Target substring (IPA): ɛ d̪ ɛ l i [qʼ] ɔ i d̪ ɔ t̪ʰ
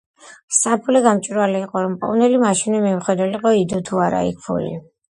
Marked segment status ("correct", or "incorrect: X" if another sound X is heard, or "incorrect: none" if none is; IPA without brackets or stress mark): correct